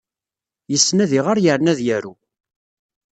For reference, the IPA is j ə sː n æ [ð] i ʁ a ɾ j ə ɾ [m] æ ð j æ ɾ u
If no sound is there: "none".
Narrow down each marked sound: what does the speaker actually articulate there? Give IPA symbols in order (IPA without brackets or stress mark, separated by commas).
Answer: ð, n